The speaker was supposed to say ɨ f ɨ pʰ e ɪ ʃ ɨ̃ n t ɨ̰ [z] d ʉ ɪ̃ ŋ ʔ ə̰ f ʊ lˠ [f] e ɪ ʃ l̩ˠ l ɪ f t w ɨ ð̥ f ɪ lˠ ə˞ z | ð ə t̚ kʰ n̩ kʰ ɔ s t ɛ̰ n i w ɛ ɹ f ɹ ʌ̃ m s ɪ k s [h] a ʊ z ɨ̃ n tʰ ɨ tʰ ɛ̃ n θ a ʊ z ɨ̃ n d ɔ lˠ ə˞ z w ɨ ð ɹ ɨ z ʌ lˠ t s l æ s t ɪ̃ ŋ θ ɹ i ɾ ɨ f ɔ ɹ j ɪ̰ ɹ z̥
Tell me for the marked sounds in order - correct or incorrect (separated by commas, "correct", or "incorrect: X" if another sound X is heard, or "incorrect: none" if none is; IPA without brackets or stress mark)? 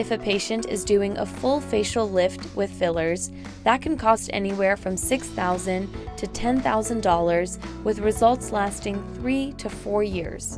correct, correct, incorrect: θ